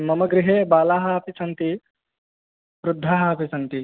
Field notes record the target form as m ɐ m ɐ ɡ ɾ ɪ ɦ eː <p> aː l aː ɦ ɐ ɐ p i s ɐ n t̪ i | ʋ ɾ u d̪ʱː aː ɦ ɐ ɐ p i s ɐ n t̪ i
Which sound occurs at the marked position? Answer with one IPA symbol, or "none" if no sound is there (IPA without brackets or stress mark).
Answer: b